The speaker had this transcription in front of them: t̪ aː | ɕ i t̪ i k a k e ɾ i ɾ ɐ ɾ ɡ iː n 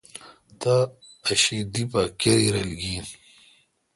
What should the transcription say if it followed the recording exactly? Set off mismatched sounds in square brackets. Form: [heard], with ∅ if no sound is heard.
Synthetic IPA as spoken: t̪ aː | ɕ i [d̪] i [p] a k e ɾ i ɾ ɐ [l] ɡ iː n